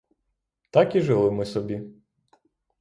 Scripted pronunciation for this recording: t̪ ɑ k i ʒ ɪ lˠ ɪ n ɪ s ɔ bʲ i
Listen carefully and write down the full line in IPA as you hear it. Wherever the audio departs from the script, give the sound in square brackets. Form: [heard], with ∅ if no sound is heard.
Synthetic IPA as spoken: t̪ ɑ k i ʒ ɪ lˠ ɪ [m] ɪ s ɔ bʲ i